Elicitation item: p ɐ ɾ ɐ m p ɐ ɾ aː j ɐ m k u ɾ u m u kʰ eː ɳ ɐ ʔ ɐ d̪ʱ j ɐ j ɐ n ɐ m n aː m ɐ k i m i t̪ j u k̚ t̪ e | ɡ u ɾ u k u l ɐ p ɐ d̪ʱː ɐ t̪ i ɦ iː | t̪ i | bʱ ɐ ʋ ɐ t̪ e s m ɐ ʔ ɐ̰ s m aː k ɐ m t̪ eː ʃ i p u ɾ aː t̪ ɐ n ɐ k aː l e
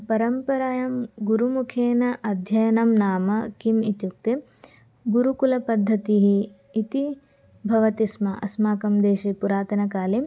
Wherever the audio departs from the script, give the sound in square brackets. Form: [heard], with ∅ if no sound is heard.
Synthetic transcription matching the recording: p ɐ ɾ ɐ m p ɐ ɾ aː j ɐ m [ɡ] u ɾ u m u kʰ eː [n] ɐ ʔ ɐ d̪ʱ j ɐ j ɐ n ɐ m n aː m ɐ k i m i t̪ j u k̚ t̪ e | ɡ u ɾ u k u l ɐ p ɐ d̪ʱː ɐ t̪ i ɦ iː | t̪ i | bʱ ɐ ʋ ɐ t̪ [i] s m ɐ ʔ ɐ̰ s m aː k ɐ m [d̪] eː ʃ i p u ɾ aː t̪ ɐ n ɐ k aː l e